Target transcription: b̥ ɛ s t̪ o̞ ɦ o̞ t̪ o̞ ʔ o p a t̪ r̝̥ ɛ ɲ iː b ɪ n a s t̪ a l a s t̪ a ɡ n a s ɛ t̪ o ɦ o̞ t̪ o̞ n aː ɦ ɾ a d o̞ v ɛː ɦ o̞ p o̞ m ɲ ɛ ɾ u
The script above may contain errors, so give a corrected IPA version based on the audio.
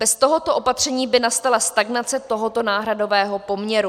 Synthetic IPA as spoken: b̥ ɛ s t̪ o̞ ɦ o̞ t̪ o̞ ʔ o p a t̪ r̝̥ ɛ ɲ iː b ɪ n a s t̪ a l a s t̪ a ɡ n a t͡s ɛ t̪ o ɦ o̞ t̪ o̞ n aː ɦ ɾ a d o̞ v ɛː ɦ o̞ p o̞ m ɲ ɛ ɾ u